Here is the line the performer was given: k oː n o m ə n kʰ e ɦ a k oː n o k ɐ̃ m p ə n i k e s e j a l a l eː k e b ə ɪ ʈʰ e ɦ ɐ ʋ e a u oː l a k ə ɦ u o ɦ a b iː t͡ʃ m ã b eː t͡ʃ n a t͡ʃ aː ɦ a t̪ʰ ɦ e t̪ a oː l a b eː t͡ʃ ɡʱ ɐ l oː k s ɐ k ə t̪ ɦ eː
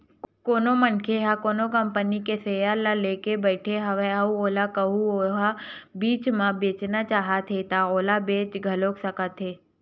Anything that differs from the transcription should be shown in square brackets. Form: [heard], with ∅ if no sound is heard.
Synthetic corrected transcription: k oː n o m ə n kʰ e ɦ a k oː n o k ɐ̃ m p ə n i k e s e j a l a l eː k e b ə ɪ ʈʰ e ɦ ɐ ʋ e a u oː l a k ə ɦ u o ɦ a b iː t͡ʃ m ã b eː t͡ʃ n a t͡ʃ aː ɦ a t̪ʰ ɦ e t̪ a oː l a b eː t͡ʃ ɡʱ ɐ l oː k s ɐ k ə t̪ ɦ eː